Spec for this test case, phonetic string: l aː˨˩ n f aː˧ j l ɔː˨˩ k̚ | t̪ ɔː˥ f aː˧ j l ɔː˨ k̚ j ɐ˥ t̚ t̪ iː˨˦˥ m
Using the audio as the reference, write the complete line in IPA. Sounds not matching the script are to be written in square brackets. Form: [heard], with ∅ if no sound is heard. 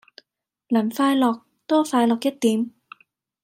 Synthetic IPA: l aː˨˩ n f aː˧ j l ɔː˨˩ k̚ | t̪ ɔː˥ f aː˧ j l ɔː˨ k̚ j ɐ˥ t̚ t̪ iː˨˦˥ m